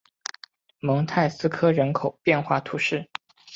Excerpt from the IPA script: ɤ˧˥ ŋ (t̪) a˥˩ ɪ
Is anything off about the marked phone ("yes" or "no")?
yes